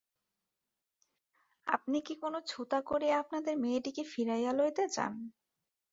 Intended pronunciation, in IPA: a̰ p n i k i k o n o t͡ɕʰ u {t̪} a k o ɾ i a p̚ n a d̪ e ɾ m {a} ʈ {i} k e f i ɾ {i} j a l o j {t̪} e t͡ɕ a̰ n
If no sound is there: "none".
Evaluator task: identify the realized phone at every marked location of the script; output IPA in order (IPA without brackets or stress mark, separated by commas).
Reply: t̪, e, i, a, t̪